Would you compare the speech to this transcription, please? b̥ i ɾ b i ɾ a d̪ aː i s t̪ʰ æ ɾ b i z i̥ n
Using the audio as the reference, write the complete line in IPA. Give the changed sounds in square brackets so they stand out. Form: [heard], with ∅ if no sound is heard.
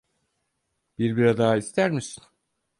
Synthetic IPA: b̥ i ɾ b i ɾ a d̪ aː i s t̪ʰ æ ɾ [m] i [s] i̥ n